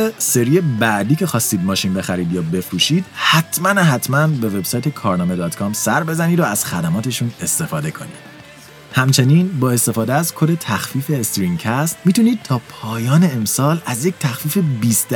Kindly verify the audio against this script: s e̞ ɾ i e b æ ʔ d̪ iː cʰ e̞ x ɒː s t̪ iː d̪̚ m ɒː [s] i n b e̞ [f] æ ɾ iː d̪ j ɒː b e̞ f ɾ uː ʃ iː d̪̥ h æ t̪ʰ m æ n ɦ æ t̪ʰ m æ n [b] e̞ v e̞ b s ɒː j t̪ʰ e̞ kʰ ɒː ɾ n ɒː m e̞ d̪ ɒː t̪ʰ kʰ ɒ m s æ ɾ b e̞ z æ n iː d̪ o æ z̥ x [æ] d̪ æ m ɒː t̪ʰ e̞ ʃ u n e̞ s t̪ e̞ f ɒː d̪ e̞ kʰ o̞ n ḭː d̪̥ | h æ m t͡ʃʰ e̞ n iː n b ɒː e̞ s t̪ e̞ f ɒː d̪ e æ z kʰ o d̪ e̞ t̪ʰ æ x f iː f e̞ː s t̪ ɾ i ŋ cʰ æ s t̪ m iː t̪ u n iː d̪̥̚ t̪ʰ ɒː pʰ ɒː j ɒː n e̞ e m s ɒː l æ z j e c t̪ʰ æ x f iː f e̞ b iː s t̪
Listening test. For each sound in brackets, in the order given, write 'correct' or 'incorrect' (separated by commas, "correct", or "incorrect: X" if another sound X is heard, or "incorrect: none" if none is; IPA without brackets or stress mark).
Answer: incorrect: ʃ, incorrect: x, correct, correct